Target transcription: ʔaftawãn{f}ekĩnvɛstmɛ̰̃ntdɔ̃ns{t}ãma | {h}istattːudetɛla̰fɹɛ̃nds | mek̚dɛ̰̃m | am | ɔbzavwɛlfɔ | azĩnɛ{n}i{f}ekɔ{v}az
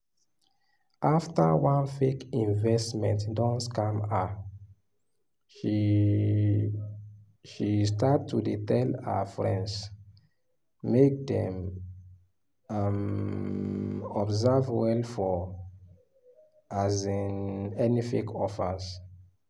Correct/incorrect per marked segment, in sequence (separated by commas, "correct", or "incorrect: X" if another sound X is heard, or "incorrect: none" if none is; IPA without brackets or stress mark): correct, incorrect: k, incorrect: ʃ, correct, correct, incorrect: f